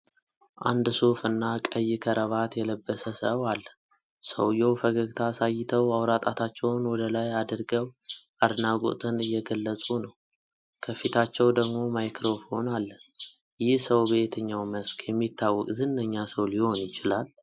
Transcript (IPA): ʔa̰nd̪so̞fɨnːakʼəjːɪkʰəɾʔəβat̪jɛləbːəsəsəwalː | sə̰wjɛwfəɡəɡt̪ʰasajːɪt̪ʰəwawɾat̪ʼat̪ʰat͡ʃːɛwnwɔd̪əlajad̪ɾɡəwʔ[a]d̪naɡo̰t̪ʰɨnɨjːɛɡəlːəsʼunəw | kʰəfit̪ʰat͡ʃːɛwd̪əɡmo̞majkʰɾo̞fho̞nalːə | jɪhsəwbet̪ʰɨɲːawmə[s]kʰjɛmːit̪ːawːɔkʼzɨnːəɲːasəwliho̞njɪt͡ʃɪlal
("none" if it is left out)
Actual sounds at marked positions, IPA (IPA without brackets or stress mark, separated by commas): a, s